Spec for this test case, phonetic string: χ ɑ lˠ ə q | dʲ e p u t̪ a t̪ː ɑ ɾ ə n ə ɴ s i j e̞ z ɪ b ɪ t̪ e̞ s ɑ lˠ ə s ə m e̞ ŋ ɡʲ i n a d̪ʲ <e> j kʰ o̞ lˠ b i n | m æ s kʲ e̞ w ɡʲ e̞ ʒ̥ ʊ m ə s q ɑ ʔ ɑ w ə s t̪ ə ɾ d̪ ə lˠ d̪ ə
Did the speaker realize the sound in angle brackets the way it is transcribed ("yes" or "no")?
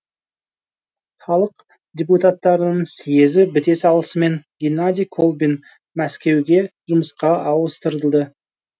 no